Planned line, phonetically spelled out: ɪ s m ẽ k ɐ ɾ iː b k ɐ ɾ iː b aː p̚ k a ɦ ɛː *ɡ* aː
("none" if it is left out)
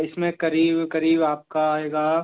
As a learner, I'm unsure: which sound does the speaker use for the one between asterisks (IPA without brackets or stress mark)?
ɡ